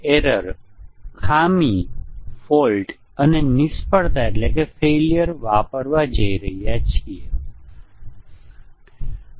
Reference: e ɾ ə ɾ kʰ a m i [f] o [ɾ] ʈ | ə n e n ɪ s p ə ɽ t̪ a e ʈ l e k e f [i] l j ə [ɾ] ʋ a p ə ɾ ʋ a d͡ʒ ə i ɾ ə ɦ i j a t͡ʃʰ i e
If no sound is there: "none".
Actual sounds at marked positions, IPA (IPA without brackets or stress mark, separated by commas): f, l, e, ɾ